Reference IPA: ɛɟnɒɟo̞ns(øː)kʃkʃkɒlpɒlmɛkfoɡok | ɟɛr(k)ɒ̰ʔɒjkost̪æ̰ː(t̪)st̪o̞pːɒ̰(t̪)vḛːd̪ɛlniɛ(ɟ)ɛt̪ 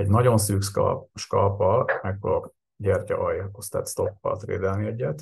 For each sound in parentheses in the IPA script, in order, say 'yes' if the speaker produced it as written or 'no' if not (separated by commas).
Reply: no, no, yes, yes, no